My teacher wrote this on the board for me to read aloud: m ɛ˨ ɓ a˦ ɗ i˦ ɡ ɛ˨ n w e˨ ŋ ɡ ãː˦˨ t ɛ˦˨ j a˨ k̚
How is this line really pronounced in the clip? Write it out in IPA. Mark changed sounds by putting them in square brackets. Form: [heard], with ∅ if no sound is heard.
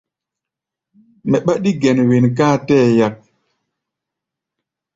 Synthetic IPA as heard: m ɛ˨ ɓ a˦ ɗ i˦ ɡ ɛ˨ n w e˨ [n] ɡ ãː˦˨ t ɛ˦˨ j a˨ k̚